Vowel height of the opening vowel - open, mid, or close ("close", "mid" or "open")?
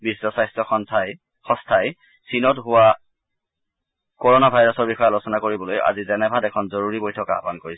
close